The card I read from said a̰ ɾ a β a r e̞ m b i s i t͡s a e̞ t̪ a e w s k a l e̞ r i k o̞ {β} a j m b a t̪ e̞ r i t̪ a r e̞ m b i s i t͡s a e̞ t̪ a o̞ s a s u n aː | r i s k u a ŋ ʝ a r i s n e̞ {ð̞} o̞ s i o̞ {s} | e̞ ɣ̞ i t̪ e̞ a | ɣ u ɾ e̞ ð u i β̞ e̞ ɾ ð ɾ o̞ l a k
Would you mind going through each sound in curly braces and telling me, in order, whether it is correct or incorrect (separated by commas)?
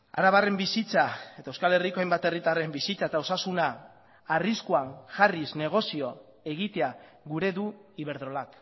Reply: incorrect, incorrect, incorrect